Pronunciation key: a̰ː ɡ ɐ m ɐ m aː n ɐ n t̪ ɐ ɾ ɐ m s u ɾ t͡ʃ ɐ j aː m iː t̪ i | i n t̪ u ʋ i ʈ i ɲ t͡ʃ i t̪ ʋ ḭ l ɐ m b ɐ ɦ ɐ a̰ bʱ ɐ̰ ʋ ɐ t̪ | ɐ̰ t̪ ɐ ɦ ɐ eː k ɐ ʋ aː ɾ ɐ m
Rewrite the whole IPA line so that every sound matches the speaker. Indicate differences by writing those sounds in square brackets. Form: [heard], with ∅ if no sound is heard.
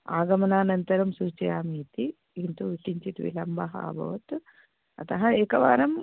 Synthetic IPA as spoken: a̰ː ɡ ɐ m ɐ [n] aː n ɐ n t̪ ɐ ɾ ɐ m s u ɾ t͡ʃ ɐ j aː m iː t̪ i | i n t̪ u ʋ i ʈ i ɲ t͡ʃ i t̪ ʋ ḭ l ɐ m b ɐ ɦ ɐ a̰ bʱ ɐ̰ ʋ ɐ t̪ | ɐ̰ t̪ ɐ ɦ ɐ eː k ɐ ʋ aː ɾ ɐ m